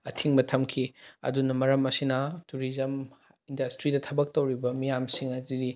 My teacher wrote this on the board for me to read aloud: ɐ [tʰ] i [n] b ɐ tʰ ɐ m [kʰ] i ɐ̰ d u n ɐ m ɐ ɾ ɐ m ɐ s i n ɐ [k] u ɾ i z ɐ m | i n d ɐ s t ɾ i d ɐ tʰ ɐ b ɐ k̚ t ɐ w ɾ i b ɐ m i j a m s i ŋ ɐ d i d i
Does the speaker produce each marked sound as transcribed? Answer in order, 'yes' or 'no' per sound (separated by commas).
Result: yes, no, yes, no